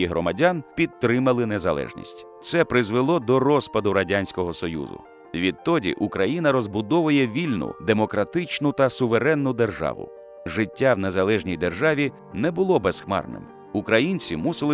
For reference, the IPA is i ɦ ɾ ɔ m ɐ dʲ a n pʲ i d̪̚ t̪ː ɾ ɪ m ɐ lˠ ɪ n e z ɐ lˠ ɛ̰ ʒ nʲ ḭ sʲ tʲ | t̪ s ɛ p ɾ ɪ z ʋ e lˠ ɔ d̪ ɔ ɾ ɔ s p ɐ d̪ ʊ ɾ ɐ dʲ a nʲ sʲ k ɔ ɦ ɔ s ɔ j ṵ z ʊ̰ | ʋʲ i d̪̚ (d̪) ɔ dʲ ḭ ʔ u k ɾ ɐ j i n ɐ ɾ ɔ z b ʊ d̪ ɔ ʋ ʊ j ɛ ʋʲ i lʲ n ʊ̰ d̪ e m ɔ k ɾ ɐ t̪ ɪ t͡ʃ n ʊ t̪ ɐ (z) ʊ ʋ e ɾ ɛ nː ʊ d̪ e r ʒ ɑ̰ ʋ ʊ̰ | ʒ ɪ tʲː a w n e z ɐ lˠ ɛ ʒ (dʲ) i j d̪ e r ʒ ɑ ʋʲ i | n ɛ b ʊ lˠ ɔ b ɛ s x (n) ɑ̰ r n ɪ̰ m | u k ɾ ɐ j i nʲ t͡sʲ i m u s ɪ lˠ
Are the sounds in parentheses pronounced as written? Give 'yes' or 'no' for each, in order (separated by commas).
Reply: no, no, no, no